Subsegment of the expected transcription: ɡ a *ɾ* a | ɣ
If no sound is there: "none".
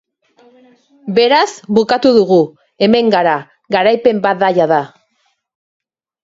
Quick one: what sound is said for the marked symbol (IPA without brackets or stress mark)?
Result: ɾ